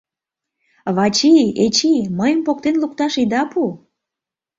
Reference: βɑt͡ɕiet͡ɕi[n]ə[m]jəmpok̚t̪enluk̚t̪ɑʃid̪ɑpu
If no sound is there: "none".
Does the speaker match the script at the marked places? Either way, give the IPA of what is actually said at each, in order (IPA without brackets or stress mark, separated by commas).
m, none